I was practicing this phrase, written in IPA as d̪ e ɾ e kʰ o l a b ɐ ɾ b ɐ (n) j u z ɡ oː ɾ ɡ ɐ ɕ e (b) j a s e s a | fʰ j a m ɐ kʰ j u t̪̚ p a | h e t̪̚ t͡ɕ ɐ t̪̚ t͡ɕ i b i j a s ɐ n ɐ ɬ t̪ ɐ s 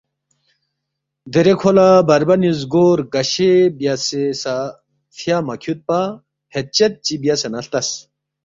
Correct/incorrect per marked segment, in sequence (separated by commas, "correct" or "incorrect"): correct, correct